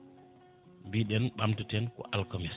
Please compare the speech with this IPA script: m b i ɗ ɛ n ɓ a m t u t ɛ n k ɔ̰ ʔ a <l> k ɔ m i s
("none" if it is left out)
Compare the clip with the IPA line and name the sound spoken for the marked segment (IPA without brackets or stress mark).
l